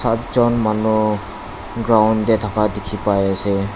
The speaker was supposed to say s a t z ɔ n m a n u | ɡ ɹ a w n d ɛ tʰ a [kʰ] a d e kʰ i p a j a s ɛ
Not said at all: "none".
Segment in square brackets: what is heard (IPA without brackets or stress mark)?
k